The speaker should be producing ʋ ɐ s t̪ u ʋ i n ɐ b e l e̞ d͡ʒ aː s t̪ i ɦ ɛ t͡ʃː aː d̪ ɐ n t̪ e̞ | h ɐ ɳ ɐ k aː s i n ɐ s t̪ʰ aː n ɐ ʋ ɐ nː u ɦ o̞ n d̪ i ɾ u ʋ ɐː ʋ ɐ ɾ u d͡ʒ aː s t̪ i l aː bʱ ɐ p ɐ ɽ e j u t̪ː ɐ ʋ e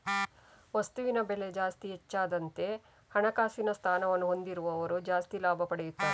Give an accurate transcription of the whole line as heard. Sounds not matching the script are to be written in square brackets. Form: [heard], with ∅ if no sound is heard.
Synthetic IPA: ʋ ɐ s t̪ u ʋ i n ɐ b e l e̞ d͡ʒ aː s t̪ i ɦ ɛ t͡ʃː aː d̪ ɐ n t̪ e̞ | h ɐ ɳ ɐ k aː s i n ɐ s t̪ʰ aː n ɐ ʋ ɐ nː u ɦ o̞ n d̪ i ɾ u ʋ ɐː ʋ ɐ ɾ u d͡ʒ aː s t̪ i l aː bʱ ɐ p ɐ ɽ e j u t̪ː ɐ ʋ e